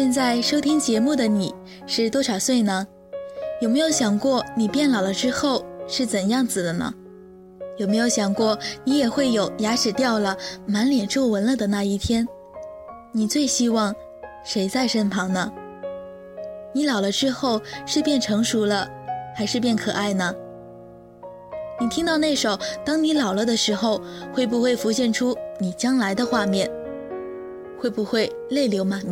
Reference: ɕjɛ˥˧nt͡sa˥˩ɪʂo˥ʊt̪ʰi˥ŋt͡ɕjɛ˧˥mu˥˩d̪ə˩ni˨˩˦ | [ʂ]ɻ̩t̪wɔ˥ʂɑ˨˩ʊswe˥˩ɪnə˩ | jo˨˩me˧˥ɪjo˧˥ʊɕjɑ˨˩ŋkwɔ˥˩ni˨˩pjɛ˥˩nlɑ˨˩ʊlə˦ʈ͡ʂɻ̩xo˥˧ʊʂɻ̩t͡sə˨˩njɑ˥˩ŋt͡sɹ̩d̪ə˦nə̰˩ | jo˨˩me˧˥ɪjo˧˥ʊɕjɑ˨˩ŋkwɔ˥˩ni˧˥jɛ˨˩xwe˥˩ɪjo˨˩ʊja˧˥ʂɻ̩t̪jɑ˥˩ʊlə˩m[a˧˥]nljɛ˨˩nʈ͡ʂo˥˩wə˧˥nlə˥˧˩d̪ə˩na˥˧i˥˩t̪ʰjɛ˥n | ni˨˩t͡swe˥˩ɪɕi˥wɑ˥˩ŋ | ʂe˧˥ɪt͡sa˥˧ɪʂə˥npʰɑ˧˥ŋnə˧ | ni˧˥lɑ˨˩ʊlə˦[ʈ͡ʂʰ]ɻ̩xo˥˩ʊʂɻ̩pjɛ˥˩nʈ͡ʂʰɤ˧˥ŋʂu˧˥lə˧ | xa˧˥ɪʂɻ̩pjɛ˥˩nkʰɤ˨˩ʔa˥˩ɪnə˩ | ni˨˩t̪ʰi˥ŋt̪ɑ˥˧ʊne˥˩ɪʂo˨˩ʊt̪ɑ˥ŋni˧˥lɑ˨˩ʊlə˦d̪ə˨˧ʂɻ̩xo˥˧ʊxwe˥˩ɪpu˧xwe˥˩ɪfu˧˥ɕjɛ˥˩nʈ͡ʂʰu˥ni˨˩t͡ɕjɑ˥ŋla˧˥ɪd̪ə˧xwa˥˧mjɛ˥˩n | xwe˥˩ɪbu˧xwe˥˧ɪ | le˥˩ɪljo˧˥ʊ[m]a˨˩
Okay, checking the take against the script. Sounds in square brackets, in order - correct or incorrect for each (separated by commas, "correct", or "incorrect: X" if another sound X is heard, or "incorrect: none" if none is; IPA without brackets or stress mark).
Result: correct, correct, incorrect: ʈ͡ʂ, correct